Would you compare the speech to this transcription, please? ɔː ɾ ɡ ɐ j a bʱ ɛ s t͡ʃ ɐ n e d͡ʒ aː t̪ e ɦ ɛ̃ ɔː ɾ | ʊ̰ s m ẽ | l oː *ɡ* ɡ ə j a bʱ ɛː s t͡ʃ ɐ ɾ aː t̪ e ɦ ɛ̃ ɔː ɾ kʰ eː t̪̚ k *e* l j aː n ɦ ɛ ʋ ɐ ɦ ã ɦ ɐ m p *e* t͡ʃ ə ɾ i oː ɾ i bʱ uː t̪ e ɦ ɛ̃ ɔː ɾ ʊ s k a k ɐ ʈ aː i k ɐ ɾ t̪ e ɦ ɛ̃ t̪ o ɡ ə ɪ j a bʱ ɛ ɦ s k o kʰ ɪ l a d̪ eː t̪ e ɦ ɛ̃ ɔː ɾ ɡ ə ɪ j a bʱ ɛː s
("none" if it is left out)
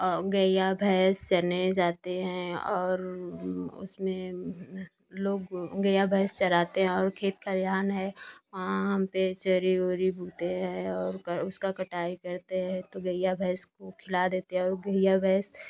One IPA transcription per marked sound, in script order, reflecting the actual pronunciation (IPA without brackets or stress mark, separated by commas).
ɡ, a, e